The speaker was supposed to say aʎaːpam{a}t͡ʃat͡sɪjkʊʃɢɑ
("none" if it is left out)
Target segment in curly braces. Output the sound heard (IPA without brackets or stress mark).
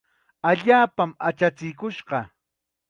a